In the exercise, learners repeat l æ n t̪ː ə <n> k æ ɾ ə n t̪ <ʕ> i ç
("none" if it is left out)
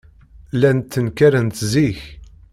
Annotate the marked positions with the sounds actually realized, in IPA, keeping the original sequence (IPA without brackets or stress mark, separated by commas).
n, z